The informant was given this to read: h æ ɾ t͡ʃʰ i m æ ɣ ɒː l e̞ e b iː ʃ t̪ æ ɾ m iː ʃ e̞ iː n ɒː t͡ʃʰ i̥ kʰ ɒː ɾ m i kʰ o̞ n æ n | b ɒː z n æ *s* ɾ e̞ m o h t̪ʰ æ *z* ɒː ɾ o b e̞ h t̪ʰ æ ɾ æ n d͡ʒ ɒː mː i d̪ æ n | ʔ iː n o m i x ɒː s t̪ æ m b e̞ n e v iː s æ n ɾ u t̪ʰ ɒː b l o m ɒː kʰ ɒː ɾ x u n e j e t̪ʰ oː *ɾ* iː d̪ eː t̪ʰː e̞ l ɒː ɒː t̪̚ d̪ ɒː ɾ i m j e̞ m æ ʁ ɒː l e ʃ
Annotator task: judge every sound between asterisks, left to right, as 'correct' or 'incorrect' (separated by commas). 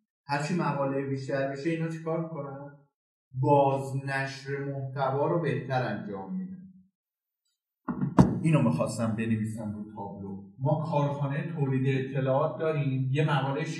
incorrect, incorrect, incorrect